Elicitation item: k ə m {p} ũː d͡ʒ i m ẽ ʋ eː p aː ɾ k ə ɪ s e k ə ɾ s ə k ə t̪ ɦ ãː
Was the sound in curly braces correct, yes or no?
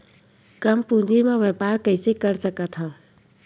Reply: yes